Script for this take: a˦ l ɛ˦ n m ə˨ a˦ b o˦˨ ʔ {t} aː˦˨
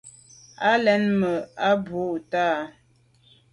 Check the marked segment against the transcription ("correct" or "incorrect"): correct